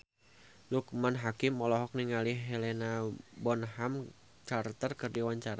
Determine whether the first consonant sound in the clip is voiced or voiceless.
voiced